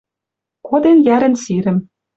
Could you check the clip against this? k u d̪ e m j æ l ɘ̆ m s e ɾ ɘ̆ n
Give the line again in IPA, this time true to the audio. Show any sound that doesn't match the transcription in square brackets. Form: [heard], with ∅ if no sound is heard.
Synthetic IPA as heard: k [o] d̪ e [n] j æ [ɾ] ɘ̆ [n] s [i] ɾ ɘ̆ [m]